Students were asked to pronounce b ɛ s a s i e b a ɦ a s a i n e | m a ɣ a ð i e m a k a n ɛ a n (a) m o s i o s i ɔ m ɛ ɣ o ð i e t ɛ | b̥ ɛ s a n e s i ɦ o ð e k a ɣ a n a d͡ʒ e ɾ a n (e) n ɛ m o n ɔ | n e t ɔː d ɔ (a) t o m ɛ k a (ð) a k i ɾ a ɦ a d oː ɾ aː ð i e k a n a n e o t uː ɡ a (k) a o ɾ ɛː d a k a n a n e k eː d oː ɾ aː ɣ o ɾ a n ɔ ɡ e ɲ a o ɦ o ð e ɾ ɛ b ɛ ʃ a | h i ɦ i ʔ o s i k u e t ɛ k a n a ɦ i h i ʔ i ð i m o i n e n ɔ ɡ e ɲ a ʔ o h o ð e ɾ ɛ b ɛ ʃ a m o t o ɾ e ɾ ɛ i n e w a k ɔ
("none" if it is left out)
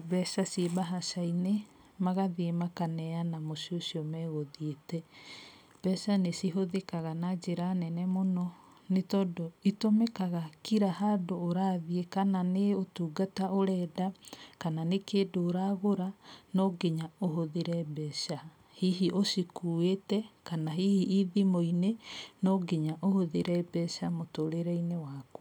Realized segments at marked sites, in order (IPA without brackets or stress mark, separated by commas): a, ɛ, i, ɣ, t